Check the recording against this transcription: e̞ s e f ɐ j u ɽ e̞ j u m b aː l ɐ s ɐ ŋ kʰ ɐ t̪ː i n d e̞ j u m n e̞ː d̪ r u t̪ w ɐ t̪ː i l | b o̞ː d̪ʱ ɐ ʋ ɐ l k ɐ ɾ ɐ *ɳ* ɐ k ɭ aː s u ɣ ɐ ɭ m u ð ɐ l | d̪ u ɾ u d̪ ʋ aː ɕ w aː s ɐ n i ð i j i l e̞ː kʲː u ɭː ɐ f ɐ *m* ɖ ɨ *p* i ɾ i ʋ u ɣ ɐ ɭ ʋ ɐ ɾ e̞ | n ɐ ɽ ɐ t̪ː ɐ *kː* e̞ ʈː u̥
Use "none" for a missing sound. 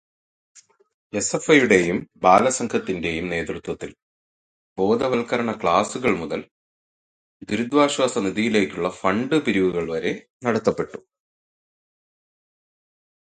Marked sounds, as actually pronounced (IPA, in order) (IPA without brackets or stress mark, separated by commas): ɳ, ɳ, p, pː